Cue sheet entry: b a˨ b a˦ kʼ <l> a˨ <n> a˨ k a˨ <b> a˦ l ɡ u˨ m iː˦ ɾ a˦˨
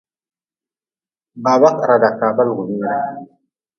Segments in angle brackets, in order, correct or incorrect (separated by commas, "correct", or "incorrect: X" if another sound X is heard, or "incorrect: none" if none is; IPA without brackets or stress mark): incorrect: ɾ, incorrect: d, correct